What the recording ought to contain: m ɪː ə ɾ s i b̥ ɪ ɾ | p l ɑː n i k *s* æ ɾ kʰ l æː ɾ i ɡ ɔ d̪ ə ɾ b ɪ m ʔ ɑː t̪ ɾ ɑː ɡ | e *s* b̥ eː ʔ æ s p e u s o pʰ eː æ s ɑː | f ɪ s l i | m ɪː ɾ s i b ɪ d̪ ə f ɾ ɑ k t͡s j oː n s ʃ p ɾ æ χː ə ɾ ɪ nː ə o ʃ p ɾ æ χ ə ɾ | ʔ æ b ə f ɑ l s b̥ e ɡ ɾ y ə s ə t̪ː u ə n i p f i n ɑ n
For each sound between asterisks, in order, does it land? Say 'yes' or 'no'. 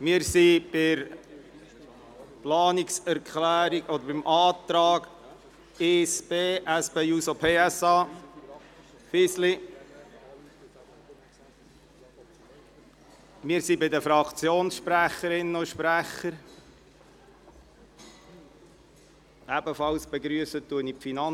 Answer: yes, yes

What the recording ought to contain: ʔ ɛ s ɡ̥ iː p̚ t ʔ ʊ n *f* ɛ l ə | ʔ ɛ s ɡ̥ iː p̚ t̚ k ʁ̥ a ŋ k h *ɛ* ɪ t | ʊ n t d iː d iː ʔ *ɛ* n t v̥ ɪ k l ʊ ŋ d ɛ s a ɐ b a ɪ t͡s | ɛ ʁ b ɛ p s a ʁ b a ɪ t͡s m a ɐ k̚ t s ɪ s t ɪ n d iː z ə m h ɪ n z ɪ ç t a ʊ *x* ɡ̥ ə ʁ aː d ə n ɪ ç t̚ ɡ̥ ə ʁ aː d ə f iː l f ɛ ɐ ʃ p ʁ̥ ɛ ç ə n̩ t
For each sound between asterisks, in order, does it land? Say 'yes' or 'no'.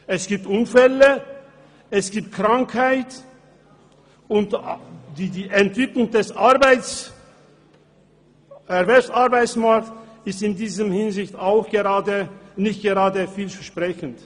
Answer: yes, no, yes, yes

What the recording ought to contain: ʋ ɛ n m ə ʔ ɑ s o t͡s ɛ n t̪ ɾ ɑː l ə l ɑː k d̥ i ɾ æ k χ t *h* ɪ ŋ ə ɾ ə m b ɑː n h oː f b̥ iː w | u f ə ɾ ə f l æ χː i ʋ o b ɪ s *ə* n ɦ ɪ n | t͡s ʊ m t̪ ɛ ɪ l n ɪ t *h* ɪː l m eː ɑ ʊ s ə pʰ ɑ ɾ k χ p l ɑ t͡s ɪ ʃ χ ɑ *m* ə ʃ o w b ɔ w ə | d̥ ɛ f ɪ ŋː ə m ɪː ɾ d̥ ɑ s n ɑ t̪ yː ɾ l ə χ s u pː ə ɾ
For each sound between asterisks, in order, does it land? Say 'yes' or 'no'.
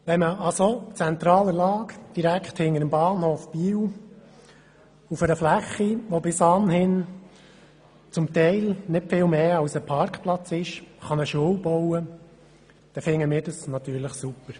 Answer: yes, no, no, no

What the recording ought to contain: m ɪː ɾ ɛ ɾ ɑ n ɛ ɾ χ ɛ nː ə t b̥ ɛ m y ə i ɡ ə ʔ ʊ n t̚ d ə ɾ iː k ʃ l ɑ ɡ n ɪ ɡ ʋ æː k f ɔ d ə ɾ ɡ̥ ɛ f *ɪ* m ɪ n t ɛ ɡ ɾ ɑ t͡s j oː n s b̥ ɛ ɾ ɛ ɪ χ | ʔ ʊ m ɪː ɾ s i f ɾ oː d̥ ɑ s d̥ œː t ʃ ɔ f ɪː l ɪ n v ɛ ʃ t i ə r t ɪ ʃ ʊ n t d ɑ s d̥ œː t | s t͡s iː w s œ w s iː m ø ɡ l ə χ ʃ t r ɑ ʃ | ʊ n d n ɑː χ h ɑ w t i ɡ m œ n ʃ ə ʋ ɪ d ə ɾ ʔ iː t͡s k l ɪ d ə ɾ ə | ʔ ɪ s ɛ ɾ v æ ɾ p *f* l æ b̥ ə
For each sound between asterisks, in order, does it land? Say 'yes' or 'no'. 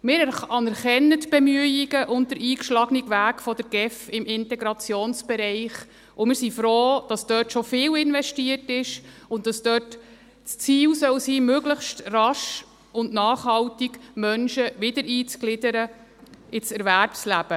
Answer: yes, no

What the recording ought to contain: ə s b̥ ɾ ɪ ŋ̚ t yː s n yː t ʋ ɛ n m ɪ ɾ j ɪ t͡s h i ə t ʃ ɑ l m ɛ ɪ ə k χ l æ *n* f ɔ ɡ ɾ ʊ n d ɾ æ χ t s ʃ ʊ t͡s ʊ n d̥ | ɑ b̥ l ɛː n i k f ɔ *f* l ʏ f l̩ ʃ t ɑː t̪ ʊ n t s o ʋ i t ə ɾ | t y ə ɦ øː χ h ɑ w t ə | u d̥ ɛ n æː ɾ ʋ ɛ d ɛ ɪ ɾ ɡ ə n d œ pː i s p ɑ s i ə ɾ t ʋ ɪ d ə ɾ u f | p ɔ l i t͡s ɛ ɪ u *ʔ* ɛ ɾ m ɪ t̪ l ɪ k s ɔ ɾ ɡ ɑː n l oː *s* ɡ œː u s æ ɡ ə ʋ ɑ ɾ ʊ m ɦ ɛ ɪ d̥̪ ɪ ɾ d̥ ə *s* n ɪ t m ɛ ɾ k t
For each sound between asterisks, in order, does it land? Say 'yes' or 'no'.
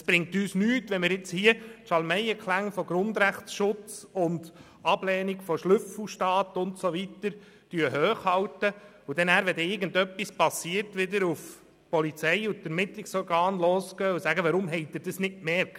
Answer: no, no, no, yes, yes

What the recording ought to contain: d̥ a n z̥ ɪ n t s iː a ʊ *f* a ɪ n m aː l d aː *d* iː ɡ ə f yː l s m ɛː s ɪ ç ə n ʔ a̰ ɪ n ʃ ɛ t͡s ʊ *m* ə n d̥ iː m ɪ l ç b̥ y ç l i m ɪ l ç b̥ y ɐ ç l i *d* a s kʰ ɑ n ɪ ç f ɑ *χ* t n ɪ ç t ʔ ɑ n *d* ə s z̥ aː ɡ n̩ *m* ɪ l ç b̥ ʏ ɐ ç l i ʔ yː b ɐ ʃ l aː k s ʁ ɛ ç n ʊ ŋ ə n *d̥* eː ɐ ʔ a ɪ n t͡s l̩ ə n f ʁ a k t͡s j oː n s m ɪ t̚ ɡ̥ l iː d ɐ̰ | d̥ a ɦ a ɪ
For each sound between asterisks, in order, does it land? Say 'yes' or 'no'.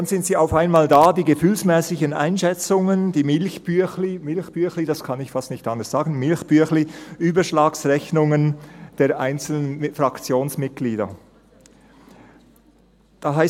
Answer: yes, yes, no, yes, no, yes, yes, yes

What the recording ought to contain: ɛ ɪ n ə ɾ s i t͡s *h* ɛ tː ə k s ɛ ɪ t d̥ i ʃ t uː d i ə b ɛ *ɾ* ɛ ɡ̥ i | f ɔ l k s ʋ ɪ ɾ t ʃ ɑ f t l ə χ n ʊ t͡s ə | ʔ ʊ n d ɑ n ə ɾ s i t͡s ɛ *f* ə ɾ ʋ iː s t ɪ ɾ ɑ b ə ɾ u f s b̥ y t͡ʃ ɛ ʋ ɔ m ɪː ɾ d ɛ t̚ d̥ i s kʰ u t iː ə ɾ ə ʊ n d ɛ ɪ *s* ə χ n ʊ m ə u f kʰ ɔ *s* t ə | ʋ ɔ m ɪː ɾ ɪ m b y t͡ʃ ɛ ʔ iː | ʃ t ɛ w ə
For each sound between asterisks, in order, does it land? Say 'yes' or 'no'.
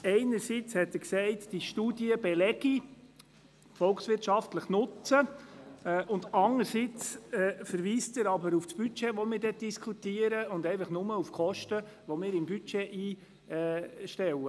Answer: yes, no, yes, no, no

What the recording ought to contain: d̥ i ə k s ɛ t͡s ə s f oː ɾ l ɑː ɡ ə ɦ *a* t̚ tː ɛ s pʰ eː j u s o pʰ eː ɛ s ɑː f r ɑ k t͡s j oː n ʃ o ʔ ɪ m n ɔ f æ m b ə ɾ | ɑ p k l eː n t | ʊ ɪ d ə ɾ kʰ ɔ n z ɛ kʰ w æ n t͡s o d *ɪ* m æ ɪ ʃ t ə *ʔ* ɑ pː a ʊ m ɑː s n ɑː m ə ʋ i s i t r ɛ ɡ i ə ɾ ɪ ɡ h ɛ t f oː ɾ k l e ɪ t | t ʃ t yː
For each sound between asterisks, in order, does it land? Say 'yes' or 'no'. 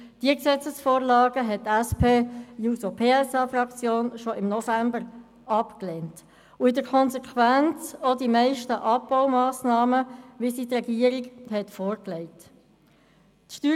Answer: no, no, yes

